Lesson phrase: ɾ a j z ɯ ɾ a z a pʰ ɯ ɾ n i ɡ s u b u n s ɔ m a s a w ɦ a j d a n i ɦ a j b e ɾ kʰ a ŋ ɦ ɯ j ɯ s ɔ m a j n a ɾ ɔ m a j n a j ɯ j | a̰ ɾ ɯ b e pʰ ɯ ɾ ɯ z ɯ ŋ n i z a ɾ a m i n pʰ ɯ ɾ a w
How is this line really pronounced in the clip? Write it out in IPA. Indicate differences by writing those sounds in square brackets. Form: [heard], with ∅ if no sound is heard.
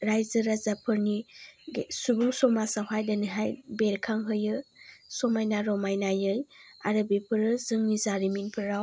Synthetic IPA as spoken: ɾ a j z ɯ ɾ a z a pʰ ɯ ɾ n i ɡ s u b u [ŋ] s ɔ m a s a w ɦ a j d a n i ɦ a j b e ɾ kʰ a ŋ ɦ ɯ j ɯ s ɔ m a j n a ɾ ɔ m a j n a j ɯ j | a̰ ɾ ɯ b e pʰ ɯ ɾ ɯ z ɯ ŋ n i z a ɾ [i] m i n pʰ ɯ ɾ a w